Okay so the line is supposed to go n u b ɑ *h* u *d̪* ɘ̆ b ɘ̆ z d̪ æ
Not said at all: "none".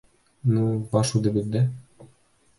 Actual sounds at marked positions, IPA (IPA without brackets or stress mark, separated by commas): ʃ, d̪